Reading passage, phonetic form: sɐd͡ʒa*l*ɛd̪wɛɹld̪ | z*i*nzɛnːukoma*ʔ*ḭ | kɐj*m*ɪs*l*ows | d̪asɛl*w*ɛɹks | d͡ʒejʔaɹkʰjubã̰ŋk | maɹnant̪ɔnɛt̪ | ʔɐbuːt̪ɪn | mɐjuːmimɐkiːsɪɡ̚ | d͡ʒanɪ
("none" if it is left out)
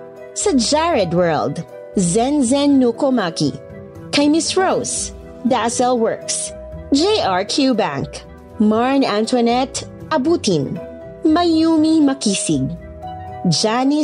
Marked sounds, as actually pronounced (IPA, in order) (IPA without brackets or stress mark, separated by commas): ɹ, ɛ, k, m, ɹ, w